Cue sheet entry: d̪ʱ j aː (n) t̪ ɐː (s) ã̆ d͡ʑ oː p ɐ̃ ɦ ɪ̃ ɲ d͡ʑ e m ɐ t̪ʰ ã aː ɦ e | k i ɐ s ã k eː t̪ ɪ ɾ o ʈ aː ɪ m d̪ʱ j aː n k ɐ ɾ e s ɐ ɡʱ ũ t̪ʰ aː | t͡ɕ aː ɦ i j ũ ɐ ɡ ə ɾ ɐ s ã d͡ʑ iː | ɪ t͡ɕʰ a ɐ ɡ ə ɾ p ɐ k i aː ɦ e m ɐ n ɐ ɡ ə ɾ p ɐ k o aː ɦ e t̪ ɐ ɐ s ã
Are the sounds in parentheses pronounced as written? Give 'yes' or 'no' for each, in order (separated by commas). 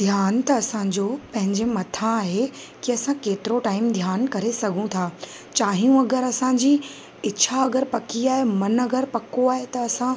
yes, yes